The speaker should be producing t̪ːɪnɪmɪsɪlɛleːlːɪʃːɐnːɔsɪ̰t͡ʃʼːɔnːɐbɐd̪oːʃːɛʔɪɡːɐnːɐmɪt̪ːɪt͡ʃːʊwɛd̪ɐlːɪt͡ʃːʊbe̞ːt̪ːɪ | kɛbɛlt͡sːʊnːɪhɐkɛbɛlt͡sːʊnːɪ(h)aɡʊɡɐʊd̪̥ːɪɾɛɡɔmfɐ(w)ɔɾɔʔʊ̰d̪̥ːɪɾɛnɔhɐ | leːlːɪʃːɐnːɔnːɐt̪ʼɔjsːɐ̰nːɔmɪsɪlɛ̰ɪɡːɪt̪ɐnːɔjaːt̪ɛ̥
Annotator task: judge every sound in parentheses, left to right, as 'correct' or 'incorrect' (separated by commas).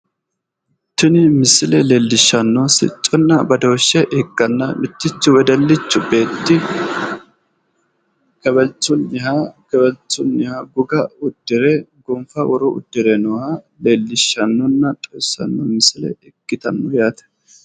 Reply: correct, correct